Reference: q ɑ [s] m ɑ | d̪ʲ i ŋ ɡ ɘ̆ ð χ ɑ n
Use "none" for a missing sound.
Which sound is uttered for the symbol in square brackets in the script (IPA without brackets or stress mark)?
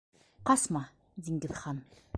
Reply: s